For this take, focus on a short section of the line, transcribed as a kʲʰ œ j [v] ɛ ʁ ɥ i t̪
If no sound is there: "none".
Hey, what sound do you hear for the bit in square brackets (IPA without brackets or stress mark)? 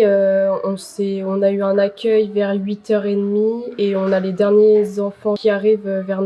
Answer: v